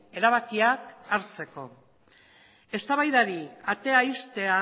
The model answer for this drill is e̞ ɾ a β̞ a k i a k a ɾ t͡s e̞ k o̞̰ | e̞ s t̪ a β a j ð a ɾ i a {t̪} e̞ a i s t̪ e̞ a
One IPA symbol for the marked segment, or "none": t̪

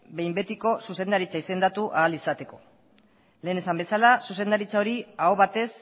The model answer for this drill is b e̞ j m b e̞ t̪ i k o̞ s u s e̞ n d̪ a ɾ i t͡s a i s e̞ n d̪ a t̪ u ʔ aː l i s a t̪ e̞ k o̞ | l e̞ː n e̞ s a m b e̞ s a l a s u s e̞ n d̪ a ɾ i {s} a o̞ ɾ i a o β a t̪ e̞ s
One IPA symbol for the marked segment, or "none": t͡s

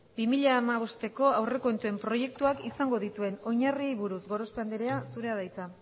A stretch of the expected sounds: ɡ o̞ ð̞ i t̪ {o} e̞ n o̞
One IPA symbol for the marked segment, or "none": u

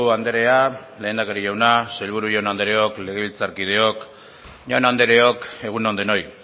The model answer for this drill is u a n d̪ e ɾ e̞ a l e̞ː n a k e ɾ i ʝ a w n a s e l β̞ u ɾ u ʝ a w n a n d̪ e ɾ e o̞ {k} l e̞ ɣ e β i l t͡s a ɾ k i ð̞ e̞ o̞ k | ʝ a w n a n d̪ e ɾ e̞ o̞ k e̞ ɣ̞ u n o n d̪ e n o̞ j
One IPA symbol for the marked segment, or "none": k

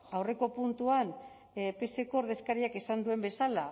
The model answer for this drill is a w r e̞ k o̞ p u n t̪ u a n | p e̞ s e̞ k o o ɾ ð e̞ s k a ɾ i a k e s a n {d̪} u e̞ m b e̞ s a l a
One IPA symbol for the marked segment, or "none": d̪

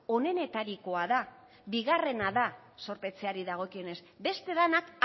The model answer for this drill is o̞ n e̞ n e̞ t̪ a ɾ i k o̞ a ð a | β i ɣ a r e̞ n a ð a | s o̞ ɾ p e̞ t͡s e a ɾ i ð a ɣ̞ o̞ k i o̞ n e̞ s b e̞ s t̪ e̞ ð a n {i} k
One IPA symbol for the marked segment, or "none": a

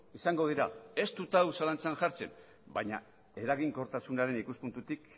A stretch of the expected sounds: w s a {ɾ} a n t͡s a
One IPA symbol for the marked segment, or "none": l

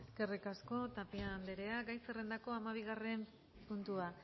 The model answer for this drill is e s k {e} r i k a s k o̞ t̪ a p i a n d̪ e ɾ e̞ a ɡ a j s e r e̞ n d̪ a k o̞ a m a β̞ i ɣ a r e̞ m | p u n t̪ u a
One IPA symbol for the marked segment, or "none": e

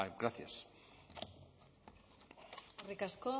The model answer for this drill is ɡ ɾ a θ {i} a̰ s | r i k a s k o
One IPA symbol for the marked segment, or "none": j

